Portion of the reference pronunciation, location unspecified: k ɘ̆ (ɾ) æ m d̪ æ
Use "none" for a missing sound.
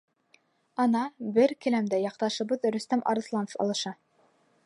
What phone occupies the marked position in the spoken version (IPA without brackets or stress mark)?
l